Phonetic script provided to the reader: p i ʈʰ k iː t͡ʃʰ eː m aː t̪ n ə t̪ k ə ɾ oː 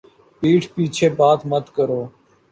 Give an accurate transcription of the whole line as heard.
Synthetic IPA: p iː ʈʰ p iː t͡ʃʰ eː b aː t̪ m ə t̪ k ə ɾ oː